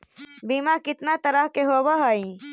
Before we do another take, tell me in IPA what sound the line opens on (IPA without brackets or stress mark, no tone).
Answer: b